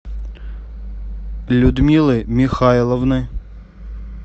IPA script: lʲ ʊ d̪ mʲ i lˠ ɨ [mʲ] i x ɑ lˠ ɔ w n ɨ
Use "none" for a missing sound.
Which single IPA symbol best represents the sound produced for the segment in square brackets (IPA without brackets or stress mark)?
mʲ